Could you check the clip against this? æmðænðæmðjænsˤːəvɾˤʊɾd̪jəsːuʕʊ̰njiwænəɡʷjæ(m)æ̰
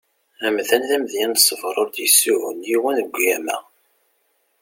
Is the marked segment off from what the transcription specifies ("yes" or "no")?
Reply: no